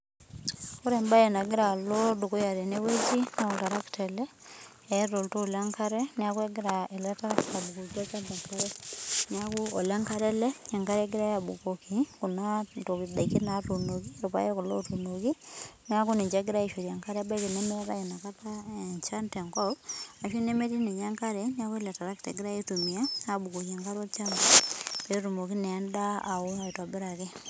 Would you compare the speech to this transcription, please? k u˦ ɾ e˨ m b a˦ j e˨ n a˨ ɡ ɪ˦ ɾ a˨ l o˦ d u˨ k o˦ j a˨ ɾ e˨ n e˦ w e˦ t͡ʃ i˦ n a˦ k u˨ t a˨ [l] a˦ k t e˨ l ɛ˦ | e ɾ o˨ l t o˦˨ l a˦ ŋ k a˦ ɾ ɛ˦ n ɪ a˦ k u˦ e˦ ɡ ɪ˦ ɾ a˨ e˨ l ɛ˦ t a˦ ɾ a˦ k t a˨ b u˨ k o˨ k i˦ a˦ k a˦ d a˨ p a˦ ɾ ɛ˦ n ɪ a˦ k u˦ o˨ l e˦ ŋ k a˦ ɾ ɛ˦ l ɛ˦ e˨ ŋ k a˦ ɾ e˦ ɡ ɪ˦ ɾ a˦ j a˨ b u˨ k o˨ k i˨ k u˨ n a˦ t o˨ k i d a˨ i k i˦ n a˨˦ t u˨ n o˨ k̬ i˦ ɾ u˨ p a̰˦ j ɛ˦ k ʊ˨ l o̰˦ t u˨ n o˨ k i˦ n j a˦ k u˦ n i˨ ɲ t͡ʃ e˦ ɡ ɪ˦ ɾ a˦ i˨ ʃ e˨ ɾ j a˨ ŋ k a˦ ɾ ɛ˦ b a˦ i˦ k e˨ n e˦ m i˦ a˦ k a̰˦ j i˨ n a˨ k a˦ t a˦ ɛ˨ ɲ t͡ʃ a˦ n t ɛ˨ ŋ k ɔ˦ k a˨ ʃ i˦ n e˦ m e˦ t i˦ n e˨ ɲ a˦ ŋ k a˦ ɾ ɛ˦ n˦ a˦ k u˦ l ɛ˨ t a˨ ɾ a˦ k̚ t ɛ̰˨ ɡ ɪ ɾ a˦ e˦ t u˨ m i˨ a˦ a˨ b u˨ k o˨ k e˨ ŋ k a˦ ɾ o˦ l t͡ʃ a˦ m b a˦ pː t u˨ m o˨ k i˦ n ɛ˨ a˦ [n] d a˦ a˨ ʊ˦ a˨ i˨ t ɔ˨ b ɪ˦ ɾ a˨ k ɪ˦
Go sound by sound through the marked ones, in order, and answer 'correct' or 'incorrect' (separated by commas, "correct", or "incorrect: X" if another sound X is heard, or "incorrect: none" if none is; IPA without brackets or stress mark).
incorrect: ɾ, correct